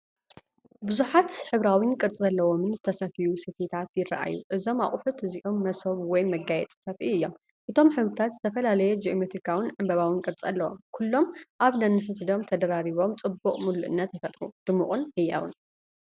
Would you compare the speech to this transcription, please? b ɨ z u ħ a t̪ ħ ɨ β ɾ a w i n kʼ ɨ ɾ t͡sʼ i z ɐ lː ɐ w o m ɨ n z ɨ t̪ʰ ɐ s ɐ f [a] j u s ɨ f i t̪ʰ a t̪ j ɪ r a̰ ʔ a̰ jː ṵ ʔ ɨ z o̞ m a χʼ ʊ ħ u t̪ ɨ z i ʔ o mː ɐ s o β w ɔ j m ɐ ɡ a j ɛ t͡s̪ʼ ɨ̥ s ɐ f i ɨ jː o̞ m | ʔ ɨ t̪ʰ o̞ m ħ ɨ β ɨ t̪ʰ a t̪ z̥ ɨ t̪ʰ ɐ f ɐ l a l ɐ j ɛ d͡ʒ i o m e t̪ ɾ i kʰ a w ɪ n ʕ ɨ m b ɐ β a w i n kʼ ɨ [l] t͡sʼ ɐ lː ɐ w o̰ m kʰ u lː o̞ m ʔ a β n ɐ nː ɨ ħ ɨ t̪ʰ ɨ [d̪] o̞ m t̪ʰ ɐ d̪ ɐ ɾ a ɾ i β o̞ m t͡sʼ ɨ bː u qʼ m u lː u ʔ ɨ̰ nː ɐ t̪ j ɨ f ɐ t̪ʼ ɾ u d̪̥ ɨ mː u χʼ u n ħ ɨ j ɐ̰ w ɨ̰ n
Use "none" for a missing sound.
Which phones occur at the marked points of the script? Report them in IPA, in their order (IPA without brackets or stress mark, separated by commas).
i, ɾ, d̪